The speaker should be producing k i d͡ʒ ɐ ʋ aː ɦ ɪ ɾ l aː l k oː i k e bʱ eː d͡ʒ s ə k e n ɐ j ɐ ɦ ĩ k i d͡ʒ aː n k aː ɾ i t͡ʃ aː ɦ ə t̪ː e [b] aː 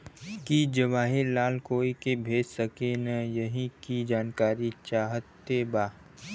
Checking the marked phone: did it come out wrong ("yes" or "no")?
no